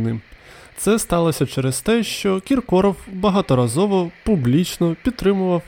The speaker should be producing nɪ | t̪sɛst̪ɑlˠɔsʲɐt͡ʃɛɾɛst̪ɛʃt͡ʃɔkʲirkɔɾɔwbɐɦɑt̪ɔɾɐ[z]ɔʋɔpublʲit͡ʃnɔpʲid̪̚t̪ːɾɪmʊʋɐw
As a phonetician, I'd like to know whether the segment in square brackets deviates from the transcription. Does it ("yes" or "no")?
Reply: no